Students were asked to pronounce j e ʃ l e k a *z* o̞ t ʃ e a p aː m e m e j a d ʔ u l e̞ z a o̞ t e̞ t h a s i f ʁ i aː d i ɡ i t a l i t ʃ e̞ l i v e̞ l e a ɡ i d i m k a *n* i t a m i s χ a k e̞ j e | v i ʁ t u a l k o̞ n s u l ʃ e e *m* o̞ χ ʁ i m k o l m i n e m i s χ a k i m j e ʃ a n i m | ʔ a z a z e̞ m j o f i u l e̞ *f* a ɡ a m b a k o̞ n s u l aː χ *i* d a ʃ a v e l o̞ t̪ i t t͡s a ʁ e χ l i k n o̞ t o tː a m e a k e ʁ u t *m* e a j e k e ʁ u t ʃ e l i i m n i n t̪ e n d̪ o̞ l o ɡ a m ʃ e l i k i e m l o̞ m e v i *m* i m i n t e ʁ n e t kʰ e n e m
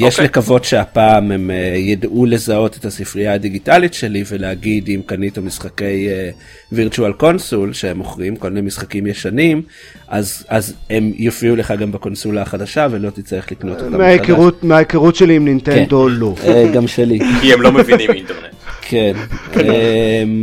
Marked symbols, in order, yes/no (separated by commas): no, yes, yes, no, no, yes, no